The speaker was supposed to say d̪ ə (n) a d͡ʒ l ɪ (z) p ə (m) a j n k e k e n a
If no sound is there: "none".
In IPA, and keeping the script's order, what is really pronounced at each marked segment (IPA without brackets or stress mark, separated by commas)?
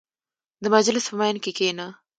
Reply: m, s, m